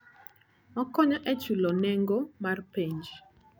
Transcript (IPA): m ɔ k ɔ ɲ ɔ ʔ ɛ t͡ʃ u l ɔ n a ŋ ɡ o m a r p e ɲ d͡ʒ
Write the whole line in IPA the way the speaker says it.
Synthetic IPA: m ɔ k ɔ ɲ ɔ ʔ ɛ t͡ʃ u l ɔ n ɛ ŋ ɡ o m a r p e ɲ d͡ʒ